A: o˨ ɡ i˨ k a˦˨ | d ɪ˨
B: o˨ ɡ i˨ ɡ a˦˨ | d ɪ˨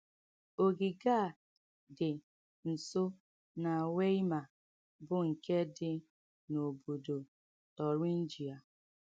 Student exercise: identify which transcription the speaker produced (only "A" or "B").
B